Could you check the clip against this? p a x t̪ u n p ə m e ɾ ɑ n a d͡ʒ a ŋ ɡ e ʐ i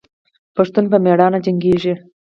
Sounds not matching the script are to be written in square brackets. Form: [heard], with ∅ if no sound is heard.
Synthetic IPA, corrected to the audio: p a [ʂ] t̪ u n p ə m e [ɽ] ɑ n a d͡ʒ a ŋ ɡ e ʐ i